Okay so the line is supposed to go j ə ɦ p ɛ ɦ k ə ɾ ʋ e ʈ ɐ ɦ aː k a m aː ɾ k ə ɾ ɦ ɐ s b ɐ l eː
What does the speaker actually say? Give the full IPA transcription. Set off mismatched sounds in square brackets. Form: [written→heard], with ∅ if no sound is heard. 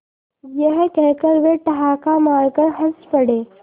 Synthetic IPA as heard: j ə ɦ [p→k] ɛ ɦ k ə ɾ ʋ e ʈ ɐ ɦ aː k a m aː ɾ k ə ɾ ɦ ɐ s [b→p] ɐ [l→ɽ] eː